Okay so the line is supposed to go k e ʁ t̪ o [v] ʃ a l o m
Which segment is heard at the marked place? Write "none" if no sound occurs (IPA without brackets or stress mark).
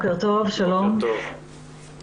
v